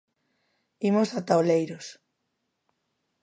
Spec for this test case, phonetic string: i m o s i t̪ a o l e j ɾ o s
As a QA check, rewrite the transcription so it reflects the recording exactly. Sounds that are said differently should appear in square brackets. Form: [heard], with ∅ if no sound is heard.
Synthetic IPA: i m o s [a] t̪ a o l e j ɾ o s